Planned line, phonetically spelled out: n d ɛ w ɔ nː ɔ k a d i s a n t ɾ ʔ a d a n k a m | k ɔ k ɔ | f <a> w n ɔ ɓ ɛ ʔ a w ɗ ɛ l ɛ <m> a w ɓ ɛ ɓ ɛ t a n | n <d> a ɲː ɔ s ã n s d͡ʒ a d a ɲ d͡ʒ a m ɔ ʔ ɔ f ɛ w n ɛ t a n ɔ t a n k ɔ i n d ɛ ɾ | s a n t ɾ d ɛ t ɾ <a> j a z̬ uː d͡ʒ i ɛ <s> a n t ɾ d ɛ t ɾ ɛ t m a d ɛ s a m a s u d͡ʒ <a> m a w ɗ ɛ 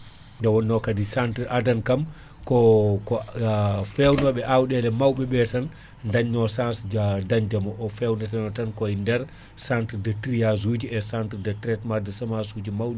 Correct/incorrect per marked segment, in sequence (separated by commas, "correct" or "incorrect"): incorrect, correct, correct, incorrect, correct, incorrect